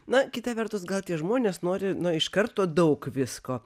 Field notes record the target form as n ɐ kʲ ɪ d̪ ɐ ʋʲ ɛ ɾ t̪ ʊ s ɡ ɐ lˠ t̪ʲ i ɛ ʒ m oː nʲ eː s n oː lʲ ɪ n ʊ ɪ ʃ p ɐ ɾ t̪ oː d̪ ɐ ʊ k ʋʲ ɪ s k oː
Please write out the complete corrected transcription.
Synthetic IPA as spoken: n ɐ kʲ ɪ t̪ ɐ ʋʲ ɛ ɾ t̪ ʊ s ɡ ɐ lˠ t̪ʲ i ɛ ʒ m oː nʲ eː s n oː ɾʲ ɪ n ʊ ɪ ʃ k ɐ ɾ t̪ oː d̪ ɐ ʊ k ʋʲ ɪ s k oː